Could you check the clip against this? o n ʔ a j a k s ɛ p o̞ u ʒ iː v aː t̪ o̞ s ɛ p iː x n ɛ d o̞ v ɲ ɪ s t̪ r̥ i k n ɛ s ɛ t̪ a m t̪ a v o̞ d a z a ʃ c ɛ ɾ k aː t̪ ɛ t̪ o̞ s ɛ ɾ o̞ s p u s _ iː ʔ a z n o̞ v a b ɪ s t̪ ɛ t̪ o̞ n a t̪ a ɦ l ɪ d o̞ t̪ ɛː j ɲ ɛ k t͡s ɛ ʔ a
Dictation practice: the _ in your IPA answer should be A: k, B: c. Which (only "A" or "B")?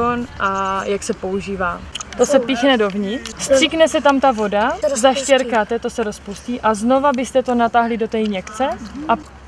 B